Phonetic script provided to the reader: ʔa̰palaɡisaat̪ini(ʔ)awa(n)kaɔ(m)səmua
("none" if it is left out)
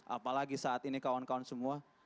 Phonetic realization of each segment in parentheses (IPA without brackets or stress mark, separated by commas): k, n, n